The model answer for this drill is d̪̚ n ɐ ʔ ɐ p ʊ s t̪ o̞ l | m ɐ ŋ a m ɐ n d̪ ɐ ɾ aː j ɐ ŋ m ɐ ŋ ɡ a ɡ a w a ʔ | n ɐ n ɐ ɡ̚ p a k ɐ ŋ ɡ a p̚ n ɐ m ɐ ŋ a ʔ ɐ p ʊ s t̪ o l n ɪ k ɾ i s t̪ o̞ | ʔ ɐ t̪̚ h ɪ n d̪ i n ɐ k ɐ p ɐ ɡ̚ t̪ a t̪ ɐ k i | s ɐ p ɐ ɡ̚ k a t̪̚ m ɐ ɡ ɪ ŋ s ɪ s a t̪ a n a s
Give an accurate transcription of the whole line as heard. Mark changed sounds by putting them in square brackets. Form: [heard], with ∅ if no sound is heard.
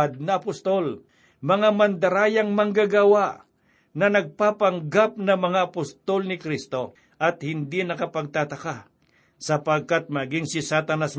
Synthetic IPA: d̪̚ n ɐ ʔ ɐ p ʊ s t̪ o̞ l | m ɐ ŋ a m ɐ n d̪ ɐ ɾ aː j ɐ ŋ m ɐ ŋ ɡ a ɡ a w a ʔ | n ɐ n ɐ ɡ̚ p a [p] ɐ ŋ ɡ a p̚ n ɐ m ɐ ŋ a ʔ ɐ p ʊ s t̪ o l n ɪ k ɾ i s t̪ o̞ | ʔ ɐ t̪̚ h ɪ n d̪ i n ɐ k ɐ p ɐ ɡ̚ t̪ a t̪ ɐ k [a] | s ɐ p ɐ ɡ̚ k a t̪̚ m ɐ ɡ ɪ ŋ s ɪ s a t̪ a n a s